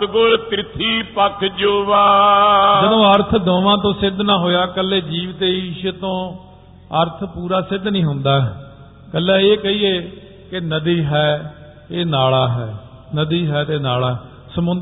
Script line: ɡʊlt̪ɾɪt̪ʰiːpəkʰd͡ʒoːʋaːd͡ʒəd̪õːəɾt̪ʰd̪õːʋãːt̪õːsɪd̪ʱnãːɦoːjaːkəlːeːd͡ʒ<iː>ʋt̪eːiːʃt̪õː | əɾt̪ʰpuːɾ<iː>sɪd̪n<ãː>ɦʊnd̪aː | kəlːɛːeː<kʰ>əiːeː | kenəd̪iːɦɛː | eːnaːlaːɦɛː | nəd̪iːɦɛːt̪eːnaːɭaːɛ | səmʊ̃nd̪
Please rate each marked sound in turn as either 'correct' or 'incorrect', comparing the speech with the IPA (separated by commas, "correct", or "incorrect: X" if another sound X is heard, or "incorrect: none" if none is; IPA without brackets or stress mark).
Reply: correct, incorrect: aː, incorrect: ĩː, incorrect: k